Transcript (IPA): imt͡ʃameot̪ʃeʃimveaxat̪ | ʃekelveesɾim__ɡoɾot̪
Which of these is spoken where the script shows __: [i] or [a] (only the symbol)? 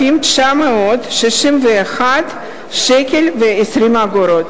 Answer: a